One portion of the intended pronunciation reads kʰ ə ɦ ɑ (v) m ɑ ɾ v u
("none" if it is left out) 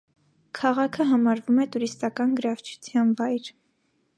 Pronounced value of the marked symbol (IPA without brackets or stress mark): none